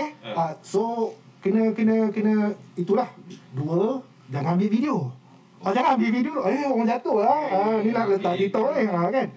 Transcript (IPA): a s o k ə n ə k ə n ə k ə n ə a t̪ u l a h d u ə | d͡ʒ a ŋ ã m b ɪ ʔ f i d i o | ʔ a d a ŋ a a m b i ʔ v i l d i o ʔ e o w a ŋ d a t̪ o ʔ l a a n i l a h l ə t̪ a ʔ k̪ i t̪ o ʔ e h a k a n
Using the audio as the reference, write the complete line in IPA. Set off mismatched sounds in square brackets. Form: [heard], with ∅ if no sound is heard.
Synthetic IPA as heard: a s o k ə n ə k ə n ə k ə n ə [i] t̪ u l a h d u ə | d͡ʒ a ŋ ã m b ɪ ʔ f i d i o | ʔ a [d͡ʒ] a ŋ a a m b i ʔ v i [∅] d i o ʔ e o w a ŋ [d͡ʒ] a t̪ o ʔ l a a n i l a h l ə t̪ a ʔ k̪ i t̪ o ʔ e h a k a n